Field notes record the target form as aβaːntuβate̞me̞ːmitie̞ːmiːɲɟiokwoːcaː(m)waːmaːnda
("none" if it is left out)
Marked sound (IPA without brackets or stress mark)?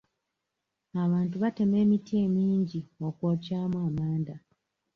m